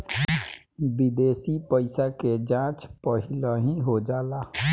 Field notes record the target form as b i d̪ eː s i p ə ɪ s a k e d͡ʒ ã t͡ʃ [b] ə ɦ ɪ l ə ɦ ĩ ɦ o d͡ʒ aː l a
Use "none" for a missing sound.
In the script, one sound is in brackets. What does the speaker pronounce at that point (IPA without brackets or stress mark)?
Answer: p